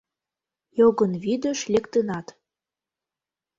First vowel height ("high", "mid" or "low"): mid